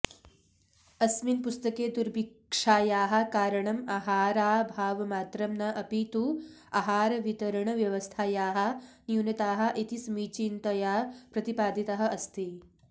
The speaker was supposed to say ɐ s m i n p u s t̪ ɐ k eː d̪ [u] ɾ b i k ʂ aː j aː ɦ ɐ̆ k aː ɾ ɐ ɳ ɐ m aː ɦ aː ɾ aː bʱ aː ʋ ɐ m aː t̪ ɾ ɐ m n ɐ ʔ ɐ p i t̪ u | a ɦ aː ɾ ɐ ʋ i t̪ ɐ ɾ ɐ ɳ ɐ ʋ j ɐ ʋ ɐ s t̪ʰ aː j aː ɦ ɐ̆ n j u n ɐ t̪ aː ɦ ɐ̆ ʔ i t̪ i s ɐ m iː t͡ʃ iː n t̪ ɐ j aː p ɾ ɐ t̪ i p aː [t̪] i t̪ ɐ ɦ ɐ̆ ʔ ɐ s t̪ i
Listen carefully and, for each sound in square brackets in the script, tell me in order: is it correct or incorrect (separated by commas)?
correct, incorrect